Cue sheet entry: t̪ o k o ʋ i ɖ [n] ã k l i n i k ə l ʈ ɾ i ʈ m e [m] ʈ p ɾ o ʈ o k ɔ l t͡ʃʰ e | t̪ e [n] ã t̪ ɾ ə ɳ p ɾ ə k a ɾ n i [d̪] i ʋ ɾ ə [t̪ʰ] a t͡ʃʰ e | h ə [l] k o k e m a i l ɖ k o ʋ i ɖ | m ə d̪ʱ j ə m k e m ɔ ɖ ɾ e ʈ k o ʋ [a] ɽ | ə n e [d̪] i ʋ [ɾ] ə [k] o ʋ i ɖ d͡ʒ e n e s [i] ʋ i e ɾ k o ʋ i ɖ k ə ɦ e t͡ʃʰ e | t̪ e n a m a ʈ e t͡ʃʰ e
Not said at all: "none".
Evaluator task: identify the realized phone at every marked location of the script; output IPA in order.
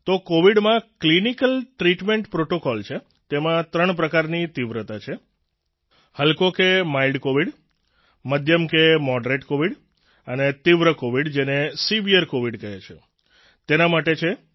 m, ɳ, m, t̪, t̪, l, i, t̪, ɾ, k, i

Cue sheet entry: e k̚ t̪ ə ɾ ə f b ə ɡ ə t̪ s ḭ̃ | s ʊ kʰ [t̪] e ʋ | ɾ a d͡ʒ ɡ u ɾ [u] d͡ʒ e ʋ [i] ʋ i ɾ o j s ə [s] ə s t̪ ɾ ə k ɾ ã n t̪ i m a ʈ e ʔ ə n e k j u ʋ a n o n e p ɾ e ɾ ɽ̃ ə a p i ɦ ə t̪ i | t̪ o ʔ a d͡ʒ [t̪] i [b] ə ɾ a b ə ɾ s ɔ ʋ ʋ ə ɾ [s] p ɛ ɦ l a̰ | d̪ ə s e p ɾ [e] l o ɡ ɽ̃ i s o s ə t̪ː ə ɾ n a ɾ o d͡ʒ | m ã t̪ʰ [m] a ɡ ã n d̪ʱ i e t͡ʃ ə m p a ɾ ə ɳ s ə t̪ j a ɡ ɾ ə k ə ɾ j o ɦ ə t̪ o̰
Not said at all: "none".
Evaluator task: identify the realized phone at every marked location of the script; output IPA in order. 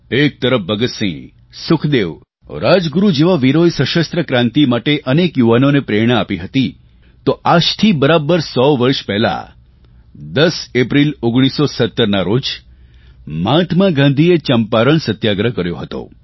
d̪, u, a, ʃ, t̪ʰ, b, ʃ, i, m

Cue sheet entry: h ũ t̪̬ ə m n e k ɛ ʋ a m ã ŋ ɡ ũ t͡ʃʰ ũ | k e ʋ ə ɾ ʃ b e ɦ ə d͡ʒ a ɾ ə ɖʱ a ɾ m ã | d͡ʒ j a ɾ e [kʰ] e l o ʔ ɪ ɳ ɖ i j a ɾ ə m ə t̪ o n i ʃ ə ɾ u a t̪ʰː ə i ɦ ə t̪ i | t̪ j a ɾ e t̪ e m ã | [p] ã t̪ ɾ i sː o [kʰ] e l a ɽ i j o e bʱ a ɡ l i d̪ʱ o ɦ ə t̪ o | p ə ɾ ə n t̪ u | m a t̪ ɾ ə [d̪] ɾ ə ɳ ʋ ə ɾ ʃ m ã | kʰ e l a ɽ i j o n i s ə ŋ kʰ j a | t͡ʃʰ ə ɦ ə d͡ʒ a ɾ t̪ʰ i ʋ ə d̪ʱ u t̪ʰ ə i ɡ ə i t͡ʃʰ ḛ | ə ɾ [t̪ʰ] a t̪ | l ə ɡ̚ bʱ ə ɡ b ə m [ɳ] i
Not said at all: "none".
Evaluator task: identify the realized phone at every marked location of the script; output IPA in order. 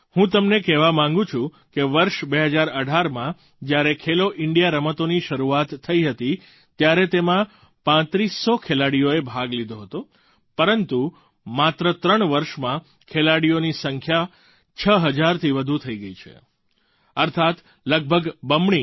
kʰ, p, kʰ, t̪, t̪ʰ, ɳ

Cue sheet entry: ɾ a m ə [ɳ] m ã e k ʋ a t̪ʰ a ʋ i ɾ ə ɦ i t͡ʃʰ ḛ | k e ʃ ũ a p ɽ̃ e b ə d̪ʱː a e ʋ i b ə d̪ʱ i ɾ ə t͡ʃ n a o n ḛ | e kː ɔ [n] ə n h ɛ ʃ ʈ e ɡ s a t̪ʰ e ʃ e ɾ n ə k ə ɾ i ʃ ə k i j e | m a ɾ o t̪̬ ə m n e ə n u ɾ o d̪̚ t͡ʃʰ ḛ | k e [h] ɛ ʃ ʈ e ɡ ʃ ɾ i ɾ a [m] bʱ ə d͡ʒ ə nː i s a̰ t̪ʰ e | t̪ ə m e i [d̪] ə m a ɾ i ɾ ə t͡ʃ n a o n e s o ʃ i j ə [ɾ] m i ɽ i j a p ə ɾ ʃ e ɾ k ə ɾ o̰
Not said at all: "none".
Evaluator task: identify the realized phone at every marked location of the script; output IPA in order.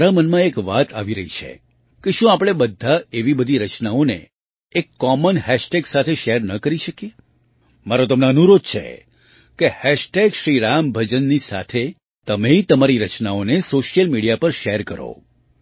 n, m, h, m, t̪, l

